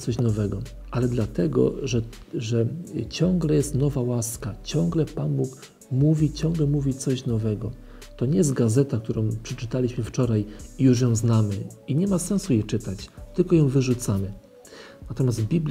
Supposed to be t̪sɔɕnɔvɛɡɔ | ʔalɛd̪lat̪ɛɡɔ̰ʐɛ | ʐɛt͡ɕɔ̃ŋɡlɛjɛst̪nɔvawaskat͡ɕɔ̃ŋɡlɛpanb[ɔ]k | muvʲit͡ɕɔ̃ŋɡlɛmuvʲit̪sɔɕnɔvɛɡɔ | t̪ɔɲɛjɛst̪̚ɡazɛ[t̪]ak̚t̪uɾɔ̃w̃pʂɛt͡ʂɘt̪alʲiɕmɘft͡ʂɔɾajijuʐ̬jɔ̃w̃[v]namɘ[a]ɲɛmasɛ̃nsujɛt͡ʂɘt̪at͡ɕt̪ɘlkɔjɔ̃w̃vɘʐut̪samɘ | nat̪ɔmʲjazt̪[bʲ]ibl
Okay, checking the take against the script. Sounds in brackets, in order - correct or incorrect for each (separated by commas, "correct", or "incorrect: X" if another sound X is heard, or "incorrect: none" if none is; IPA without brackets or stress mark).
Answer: incorrect: u, correct, incorrect: z, incorrect: i, correct